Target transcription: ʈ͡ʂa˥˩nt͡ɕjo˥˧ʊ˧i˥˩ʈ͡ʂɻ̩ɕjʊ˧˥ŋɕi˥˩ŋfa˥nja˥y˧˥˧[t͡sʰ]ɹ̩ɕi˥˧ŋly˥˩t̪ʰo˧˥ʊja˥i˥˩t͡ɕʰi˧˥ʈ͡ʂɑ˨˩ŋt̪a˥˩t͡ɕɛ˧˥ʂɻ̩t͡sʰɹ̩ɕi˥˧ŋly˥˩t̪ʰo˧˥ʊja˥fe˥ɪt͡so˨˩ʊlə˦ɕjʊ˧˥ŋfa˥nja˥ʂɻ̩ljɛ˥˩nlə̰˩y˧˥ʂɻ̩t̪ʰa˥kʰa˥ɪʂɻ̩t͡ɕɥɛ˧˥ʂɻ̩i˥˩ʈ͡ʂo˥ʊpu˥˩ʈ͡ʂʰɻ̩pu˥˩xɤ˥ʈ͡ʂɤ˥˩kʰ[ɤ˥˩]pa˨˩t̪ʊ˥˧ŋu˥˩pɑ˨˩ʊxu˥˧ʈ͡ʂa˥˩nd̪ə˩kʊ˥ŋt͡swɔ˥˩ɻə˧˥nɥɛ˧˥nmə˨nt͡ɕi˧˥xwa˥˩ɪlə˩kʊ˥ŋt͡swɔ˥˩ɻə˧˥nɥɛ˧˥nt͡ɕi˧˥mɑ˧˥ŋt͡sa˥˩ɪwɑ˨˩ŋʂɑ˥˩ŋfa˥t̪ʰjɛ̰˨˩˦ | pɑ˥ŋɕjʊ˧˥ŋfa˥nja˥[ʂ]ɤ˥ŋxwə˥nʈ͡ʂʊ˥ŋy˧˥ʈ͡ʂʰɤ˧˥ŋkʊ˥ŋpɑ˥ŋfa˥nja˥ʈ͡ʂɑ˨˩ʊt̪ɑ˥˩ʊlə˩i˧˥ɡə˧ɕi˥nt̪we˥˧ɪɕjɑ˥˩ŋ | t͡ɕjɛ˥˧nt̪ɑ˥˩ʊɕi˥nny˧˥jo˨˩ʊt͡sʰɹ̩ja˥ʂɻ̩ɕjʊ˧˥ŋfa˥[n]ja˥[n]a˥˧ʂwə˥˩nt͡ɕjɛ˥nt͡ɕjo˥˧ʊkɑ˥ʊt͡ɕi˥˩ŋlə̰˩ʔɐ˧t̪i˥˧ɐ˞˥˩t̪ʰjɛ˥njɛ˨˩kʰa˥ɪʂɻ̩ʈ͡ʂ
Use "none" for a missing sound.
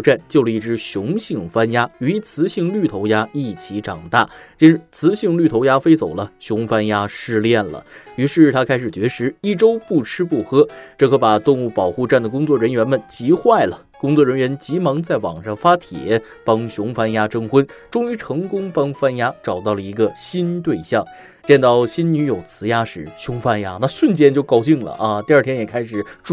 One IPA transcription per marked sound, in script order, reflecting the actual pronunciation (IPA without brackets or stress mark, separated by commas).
t͡sʰ, ɤ˧˥, ʈ͡ʂ, n, n